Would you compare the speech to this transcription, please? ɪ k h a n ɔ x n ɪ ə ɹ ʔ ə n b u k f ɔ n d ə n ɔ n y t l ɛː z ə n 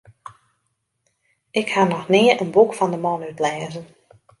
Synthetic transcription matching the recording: ɪ k h a n ɔ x n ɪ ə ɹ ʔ ə n b u k f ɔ n d ə m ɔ n y t l ɛː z ə n